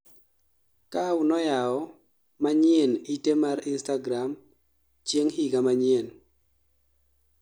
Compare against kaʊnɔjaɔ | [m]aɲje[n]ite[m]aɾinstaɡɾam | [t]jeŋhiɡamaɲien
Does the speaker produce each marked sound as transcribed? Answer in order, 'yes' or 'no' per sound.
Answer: yes, yes, yes, no

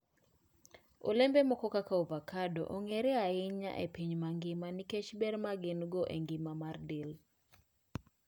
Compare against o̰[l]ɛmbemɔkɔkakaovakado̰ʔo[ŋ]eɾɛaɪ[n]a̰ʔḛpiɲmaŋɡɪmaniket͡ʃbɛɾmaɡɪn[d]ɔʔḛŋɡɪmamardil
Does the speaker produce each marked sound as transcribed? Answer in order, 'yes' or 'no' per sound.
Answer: yes, yes, no, no

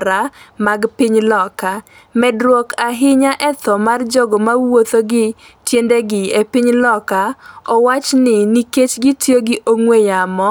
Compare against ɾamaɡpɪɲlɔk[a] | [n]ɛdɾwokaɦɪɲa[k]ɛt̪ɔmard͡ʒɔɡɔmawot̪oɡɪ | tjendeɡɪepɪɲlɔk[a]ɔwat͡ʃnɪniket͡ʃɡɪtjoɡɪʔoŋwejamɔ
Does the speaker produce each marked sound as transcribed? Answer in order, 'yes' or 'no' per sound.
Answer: yes, no, no, yes

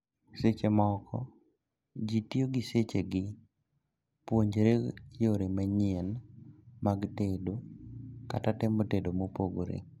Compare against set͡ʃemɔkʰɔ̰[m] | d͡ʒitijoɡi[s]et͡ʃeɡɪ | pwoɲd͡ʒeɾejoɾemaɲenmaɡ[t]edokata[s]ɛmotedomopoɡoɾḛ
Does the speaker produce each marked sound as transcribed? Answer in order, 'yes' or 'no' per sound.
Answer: no, yes, yes, no

